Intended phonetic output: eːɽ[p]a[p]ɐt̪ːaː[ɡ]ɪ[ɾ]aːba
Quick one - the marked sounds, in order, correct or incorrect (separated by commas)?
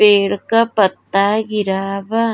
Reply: incorrect, correct, correct, correct